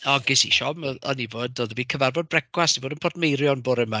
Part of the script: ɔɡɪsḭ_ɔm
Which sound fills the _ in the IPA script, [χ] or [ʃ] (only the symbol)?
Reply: ʃ